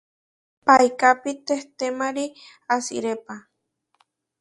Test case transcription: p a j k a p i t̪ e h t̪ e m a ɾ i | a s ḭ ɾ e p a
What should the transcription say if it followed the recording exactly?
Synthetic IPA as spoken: p a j k a p i t̪ e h t̪ e m a ɾ i | a s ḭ ɾ e p a

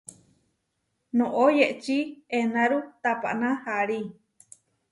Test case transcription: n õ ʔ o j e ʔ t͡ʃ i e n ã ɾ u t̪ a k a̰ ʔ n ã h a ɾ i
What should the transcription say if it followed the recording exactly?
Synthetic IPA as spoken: n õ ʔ o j e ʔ t͡ʃ i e n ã ɾ u t̪ a p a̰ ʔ n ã h a ɾ i

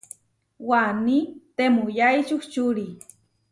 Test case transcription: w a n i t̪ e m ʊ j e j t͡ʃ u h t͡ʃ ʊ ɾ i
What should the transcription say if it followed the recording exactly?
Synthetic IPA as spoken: w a n i t̪ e m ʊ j a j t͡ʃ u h t͡ʃ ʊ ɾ i

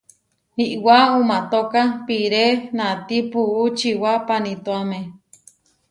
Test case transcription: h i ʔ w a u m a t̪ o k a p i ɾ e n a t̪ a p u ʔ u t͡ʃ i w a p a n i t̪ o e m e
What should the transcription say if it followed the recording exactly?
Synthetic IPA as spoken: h i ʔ w a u m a t̪ o k a p i ɾ e n a t̪ i p u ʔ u t͡ʃ i w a p a n i t̪ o a m e

